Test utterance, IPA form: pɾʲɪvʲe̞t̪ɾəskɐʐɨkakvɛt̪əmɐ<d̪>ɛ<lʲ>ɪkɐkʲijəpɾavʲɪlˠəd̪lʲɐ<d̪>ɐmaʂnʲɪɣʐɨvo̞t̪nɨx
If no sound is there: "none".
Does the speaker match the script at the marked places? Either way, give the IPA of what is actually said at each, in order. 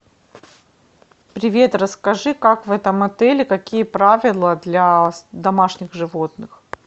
t̪, lʲ, d̪

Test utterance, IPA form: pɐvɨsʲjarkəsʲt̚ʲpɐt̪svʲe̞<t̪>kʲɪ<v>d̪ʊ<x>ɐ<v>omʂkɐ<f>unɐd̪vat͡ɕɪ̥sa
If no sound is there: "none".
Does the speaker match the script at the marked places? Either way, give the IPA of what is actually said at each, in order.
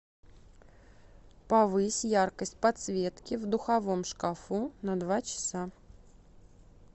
t̪, v, x, v, f

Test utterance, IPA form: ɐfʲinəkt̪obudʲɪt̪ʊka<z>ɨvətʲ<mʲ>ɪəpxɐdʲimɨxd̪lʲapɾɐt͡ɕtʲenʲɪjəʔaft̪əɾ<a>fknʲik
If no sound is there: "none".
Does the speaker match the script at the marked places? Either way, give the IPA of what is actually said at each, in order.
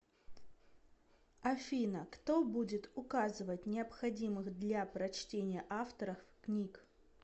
z, nʲ, ə

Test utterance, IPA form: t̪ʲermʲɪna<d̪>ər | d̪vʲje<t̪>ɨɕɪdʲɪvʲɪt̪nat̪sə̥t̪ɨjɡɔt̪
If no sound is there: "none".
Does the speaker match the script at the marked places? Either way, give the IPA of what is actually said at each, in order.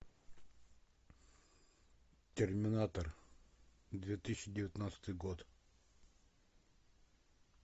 t̪, t̪

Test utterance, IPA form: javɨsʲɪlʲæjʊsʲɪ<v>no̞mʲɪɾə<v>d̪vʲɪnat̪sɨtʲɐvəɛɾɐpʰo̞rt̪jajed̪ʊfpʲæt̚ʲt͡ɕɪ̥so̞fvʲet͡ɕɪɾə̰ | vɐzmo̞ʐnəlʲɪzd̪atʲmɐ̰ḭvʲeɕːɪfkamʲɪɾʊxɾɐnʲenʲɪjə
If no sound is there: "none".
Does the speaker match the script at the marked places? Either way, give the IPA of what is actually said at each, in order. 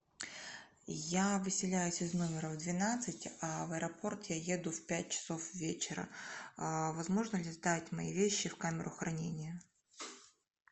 z, v

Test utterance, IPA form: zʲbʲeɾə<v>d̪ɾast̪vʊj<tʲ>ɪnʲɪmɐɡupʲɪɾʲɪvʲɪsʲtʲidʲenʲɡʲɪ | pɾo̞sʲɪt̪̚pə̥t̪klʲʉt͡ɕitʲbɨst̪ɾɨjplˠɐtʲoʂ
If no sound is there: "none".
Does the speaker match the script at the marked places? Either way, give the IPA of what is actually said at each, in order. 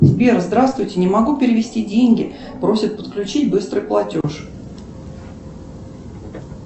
z, tʲ

